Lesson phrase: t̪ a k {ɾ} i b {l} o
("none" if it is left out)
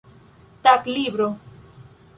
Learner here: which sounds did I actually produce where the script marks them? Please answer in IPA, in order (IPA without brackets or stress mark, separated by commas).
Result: l, ɾ